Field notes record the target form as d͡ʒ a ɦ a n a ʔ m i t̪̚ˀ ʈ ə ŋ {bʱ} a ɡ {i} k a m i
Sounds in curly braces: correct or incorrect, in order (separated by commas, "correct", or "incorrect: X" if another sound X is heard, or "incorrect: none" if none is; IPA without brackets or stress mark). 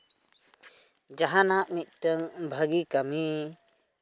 correct, correct